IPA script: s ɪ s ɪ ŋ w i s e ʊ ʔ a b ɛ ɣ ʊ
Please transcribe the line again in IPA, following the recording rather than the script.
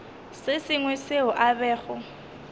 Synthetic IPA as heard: s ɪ s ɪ ŋ w ɛ s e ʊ ʔ a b ɛː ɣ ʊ